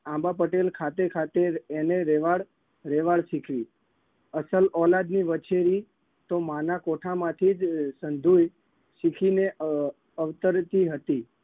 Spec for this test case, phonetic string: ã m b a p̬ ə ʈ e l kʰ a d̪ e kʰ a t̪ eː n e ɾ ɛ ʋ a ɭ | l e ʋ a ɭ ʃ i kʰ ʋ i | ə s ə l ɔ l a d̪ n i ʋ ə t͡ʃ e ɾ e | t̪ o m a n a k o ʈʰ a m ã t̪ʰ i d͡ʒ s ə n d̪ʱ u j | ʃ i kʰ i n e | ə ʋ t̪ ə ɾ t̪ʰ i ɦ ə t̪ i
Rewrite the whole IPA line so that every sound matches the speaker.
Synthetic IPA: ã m b a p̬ ə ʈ e l kʰ a t̪ e kʰ a t̪ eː n e ɾ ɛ ʋ a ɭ | ɾ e ʋ a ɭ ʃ i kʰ ʋ i | ə s ə l ɔ l a d̪ n i ʋ ə t͡ʃ e ɾ i | t̪ o m a n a k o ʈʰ a m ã t̪ʰ i d͡ʒ s ə n d̪ʱ u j | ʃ i kʰ i n e | ə ʋ t̪ ə ɾ t̪ i ɦ ə t̪ i